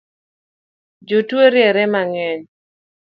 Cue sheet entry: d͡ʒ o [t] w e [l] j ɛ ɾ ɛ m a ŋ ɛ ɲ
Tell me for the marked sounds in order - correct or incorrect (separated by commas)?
correct, incorrect